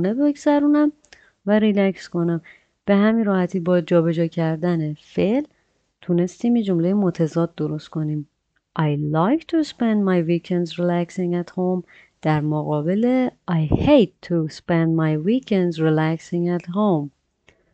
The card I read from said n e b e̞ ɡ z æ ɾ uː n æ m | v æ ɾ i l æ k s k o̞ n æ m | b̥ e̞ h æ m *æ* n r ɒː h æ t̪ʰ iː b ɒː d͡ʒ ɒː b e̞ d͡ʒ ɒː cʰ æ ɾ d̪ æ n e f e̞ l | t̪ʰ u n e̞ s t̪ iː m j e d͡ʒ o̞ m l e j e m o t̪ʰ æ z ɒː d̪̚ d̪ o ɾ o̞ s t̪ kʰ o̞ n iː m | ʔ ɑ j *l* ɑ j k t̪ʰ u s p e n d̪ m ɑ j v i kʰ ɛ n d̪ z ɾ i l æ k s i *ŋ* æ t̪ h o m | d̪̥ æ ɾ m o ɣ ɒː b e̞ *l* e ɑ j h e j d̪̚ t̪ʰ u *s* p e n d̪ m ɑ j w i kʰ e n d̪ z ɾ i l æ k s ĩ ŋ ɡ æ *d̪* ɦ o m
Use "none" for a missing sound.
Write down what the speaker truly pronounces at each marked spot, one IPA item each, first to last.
i, l, ŋ, l, s, t̪

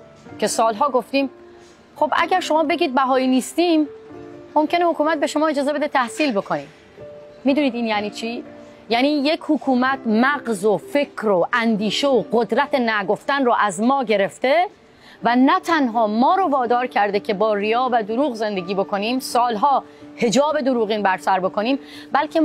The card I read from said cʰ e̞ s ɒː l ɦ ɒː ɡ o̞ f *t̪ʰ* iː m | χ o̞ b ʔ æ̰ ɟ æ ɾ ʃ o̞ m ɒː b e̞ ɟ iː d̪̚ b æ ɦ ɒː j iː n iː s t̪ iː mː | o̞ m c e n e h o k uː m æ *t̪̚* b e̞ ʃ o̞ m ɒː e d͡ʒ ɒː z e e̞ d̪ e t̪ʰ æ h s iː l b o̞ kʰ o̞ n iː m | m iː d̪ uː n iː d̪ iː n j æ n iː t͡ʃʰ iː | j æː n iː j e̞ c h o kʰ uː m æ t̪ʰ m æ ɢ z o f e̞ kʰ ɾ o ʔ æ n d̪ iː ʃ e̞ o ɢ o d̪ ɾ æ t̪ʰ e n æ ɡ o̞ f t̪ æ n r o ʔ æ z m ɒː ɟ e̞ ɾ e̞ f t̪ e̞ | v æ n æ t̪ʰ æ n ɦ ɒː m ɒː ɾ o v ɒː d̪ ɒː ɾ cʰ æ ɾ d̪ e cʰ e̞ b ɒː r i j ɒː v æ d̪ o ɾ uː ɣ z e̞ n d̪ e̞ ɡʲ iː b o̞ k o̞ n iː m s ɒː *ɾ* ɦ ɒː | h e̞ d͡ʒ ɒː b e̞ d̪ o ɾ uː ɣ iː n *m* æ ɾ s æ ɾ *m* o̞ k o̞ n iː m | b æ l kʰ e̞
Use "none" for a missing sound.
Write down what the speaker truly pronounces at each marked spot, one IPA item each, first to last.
t̪, t̪̚, l, b, b

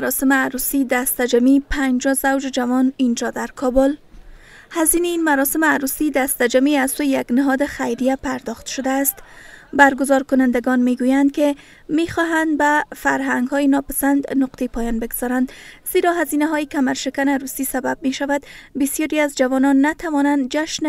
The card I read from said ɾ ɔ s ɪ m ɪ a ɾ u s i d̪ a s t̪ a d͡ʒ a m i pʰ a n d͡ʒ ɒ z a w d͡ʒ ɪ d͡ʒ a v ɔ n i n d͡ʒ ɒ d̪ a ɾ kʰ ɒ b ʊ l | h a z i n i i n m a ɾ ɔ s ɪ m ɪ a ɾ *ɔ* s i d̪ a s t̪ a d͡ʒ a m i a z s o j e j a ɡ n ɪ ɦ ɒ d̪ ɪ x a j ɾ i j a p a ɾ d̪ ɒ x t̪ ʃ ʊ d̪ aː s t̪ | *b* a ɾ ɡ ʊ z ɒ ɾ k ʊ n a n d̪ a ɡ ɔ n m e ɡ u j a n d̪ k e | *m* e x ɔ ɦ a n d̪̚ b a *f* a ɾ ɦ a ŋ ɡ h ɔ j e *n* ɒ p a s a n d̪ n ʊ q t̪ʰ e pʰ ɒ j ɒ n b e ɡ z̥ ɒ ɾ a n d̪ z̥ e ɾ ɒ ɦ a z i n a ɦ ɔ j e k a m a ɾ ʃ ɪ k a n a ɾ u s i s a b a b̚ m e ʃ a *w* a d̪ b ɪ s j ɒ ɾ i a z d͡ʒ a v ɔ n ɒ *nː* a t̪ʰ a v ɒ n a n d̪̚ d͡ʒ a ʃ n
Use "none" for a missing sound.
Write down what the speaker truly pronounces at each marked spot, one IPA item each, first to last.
u, b, m, f, n, v, nː

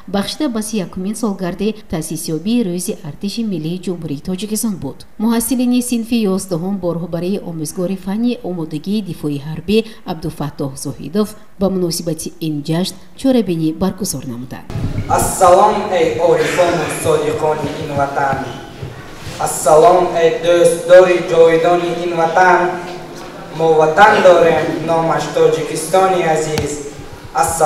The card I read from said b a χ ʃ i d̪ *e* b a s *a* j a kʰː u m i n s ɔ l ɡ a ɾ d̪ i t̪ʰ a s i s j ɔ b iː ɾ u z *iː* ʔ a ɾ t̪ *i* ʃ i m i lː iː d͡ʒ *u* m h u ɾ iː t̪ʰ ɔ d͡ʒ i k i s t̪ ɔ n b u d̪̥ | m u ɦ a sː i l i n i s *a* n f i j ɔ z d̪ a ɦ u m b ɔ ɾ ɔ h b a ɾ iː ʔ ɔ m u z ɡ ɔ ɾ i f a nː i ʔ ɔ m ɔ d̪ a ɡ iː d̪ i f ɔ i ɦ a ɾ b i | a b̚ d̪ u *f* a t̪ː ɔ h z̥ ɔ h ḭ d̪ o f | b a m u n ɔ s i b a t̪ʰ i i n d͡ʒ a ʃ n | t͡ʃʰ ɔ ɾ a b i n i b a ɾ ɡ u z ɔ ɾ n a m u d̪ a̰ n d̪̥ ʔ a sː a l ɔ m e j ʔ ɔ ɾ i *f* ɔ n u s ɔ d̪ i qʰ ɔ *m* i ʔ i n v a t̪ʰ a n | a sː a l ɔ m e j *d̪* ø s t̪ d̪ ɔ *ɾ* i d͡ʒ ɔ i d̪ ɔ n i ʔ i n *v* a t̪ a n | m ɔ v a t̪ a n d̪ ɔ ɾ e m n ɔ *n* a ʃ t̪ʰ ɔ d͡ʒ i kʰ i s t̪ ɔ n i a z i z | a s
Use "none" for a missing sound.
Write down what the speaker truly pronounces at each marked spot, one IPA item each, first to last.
a, i, i, i, u, i, f, f, n, d̪, ɾ, v, m

